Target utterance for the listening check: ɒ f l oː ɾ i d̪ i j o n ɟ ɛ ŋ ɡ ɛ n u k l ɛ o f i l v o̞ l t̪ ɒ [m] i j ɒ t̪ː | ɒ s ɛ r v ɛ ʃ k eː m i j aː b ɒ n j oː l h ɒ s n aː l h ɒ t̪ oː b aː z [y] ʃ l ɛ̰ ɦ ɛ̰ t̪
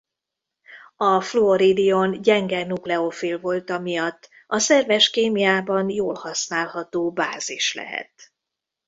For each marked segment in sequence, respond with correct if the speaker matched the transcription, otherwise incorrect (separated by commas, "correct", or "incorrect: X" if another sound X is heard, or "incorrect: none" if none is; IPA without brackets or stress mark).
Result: correct, incorrect: i